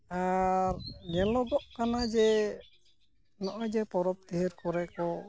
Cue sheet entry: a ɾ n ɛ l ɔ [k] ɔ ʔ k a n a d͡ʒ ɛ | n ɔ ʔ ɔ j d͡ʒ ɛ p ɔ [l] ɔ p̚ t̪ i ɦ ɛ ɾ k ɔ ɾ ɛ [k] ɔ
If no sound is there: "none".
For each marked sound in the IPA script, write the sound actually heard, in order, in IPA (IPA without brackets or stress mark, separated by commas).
ɡ, ɾ, k